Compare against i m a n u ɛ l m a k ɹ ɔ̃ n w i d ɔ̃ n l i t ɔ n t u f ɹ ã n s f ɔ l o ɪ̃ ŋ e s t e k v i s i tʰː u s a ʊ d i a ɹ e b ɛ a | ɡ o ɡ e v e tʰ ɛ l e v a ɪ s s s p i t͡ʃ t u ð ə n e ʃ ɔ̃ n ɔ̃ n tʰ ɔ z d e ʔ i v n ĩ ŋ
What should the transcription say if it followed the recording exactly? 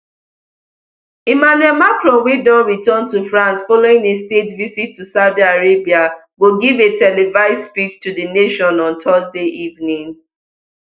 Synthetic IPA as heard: i m a n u ɛ l m a k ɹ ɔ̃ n w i d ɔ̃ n ɹ i t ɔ n t u f ɹ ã n s f ɔ l o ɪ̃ ŋ e s t e t v i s i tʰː u s a ʊ d i a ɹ e b i a | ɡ o ɡ i v e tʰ ɛ l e v a ɪ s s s p i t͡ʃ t u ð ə n e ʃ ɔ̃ n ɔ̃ n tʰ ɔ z d e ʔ i v n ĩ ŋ